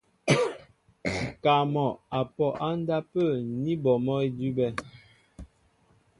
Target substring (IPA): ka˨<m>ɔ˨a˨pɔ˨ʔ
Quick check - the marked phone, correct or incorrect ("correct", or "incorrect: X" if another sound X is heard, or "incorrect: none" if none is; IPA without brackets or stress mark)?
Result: correct